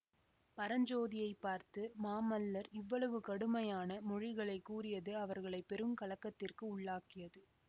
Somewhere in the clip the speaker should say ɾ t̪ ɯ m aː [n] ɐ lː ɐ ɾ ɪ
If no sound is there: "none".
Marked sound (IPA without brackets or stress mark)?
m